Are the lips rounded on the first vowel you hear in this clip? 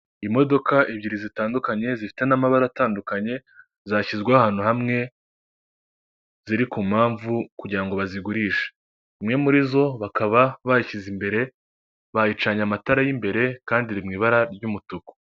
no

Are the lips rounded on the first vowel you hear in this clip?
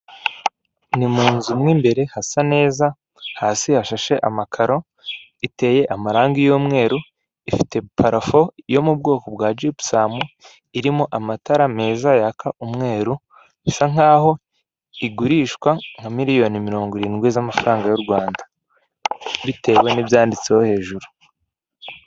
no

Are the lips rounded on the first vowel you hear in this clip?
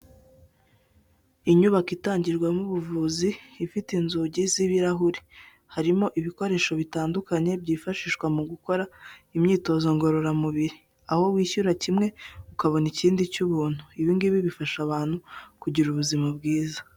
no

